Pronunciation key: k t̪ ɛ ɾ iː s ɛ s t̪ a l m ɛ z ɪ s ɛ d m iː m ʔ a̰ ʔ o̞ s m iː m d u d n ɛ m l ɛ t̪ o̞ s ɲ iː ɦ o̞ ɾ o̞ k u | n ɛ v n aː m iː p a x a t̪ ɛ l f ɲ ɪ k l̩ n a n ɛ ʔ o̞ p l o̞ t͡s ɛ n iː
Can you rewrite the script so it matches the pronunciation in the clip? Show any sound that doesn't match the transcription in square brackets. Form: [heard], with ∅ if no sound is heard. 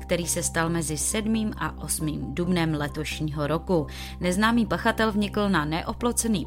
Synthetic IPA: k t̪ ɛ ɾ iː s ɛ s t̪ a l m ɛ z ɪ s ɛ d m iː m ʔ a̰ ʔ o̞ s m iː m d u [b] n ɛ m l ɛ t̪ o̞ [ʃ] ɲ iː ɦ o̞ ɾ o̞ k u | n ɛ [z] n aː m iː p a x a t̪ ɛ l [v] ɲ ɪ k l̩ n a n ɛ ʔ o̞ p l o̞ t͡s ɛ n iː